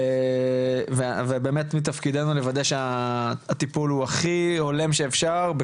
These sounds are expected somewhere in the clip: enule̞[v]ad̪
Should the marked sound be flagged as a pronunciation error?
no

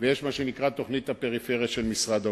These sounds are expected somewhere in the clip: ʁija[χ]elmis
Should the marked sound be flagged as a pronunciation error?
yes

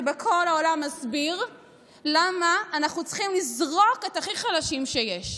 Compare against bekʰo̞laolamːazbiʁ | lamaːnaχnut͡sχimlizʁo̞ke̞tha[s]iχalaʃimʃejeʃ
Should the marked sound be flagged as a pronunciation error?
yes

